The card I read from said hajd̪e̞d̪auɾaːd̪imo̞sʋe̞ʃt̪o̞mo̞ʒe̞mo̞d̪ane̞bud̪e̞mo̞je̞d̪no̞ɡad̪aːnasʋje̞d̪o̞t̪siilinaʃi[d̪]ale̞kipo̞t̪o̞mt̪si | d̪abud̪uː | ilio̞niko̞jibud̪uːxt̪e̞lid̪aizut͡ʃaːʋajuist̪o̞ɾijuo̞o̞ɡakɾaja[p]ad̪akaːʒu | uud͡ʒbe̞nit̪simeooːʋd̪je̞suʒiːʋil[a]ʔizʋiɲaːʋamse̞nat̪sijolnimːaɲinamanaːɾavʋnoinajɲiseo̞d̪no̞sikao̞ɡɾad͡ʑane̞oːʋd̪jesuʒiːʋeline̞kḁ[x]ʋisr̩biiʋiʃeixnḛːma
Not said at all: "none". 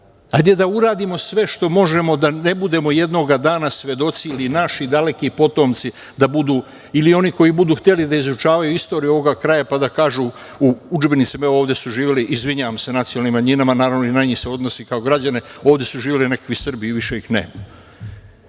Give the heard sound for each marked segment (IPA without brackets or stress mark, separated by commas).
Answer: d̪, p, i, k